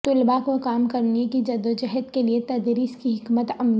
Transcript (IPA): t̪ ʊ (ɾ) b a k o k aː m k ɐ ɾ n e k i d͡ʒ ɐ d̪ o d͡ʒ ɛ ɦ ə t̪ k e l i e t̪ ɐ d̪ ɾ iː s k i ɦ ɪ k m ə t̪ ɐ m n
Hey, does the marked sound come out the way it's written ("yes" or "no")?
no